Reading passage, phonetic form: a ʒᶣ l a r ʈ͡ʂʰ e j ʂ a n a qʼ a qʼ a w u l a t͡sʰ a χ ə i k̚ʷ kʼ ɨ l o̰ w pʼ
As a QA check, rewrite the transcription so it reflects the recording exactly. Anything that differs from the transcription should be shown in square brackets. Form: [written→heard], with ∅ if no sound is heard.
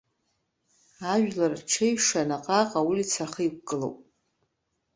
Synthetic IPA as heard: a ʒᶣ l a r ʈ͡ʂʰ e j ʂ a n a qʼ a qʼ a w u l [a→i] t͡sʰ a χ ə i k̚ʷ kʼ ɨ l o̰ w pʼ